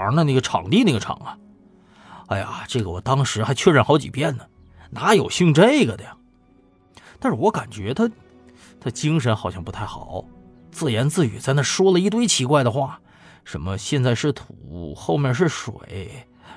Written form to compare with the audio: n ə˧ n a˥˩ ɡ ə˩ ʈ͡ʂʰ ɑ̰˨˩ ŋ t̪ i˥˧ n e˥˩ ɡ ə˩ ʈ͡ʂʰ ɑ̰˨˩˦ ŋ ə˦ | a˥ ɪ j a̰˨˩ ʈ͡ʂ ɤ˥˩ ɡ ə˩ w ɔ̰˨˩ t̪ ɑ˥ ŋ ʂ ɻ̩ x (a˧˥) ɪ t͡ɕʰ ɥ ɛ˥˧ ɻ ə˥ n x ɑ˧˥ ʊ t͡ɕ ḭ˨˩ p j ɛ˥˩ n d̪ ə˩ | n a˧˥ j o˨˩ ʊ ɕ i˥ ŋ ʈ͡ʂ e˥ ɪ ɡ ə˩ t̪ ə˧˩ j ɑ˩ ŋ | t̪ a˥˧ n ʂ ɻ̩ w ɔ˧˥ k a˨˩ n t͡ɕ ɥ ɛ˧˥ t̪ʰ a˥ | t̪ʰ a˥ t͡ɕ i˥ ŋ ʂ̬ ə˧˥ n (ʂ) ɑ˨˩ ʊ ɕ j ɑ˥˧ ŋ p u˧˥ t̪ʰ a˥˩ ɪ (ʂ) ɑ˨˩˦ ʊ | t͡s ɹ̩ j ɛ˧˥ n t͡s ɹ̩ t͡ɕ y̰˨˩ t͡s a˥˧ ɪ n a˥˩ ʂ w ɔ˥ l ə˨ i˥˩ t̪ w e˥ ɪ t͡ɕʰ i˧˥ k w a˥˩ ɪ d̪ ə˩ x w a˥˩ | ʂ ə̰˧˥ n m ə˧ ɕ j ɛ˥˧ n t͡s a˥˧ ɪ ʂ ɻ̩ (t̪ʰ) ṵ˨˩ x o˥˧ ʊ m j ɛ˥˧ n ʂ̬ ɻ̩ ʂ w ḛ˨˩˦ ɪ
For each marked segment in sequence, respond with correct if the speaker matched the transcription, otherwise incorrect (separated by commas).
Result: correct, incorrect, incorrect, correct